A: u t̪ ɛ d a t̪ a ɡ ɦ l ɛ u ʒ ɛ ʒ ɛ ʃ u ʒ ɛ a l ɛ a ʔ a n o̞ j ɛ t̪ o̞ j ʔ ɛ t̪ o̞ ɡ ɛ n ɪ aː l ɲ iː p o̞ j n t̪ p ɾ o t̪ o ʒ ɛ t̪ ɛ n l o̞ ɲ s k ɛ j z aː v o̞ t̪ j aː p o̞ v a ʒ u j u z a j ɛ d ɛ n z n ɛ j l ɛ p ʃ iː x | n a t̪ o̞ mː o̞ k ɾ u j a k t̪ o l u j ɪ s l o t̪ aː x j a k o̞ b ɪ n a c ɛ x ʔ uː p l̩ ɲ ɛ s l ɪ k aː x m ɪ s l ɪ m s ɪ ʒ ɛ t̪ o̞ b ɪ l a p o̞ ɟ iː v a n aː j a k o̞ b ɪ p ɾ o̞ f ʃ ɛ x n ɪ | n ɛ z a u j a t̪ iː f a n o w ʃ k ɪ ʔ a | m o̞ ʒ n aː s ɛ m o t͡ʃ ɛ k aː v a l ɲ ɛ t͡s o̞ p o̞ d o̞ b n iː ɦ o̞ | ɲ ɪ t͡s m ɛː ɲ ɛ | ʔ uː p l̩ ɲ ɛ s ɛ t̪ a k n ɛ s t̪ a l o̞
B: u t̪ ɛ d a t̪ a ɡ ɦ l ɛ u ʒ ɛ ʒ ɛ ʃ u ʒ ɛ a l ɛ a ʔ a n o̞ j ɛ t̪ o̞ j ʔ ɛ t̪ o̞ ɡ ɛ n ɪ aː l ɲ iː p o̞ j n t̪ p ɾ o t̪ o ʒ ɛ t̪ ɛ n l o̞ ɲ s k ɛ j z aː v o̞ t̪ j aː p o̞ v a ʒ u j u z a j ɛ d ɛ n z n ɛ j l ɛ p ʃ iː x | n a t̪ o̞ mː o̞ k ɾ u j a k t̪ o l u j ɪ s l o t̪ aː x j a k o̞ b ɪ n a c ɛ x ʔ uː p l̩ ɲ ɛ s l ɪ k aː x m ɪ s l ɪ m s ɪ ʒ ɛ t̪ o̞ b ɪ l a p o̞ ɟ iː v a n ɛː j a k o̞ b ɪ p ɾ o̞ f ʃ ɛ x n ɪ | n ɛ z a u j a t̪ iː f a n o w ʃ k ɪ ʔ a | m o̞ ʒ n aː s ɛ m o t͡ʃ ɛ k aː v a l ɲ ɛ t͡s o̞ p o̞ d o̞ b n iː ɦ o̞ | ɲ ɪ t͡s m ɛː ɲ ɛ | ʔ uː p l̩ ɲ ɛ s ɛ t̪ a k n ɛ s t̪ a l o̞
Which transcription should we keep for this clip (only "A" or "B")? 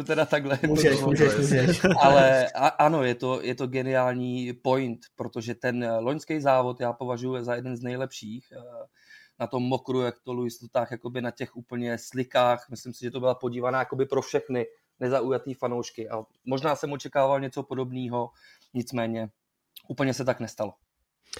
A